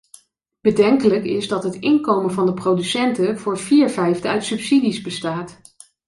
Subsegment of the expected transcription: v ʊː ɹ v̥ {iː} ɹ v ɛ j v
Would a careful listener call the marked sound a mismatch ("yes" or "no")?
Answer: no